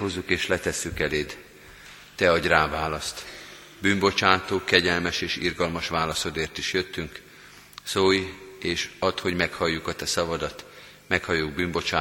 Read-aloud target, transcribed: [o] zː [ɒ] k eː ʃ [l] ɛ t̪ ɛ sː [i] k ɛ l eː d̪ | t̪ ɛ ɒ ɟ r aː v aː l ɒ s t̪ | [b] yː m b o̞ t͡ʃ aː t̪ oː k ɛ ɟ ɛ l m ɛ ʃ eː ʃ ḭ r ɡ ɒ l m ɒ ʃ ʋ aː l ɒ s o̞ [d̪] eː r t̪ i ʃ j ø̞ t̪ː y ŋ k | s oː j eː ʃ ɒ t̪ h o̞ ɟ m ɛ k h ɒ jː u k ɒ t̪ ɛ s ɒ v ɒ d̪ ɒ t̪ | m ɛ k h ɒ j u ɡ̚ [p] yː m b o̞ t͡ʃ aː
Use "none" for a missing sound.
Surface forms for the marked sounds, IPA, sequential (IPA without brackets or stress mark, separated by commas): o, u, l, y, b, d̪, b